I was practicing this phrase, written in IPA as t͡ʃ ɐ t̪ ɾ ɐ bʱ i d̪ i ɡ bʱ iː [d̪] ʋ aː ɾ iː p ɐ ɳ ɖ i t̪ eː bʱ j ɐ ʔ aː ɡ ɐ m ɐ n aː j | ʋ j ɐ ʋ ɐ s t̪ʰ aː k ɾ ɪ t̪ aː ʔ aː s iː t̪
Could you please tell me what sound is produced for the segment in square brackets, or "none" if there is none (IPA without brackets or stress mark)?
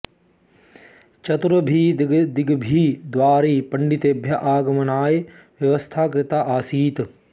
d̪